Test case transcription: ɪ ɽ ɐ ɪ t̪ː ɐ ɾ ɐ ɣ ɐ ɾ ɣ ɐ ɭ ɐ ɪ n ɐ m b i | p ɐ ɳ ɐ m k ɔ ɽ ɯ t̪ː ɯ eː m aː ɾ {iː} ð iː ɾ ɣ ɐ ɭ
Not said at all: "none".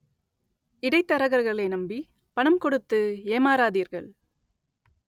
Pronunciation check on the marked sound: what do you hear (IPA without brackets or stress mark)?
aː